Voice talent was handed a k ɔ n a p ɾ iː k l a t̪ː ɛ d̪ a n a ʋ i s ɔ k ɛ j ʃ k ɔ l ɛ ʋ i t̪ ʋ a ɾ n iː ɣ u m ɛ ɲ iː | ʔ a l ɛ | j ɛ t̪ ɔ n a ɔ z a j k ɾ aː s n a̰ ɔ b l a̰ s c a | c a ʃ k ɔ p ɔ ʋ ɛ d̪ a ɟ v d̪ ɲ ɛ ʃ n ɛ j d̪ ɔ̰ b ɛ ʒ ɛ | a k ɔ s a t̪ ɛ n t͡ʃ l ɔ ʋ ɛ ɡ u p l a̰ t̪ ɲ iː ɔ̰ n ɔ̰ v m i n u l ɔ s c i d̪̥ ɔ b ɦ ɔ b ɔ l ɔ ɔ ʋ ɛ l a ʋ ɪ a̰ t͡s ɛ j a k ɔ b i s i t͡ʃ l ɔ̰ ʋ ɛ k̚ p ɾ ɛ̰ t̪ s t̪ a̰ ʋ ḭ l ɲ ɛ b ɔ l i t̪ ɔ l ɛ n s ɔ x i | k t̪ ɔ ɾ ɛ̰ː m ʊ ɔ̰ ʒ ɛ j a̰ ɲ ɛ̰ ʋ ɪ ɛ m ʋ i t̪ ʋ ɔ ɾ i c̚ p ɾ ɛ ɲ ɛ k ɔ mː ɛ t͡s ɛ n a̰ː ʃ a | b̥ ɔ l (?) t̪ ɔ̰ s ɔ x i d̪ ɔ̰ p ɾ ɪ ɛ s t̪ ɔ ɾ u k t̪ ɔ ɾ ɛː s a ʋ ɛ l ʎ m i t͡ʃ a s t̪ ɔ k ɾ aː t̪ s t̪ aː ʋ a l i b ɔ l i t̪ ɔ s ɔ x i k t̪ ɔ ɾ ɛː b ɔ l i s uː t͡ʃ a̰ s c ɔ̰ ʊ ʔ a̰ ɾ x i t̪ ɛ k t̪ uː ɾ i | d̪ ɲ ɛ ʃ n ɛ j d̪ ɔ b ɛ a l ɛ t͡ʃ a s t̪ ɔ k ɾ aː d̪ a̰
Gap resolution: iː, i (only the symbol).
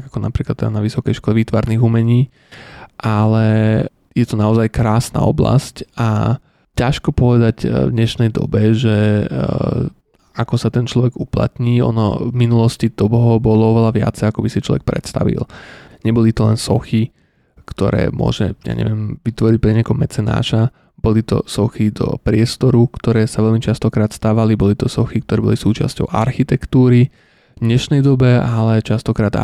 i